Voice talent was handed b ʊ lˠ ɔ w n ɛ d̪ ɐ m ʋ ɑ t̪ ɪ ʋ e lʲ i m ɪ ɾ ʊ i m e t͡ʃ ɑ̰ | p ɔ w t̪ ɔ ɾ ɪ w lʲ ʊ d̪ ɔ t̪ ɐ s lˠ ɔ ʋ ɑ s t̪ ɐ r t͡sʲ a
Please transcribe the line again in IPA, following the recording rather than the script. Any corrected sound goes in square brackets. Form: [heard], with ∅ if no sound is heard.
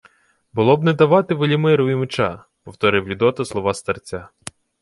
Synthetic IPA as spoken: b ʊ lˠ ɔ [b] n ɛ d̪ ɐ [∅] ʋ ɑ t̪ ɪ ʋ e lʲ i m ɪ ɾ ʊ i m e t͡ʃ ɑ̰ | p ɔ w t̪ ɔ ɾ ɪ w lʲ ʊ d̪ ɔ t̪ ɐ s lˠ ɔ ʋ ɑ s t̪ ɐ r t͡sʲ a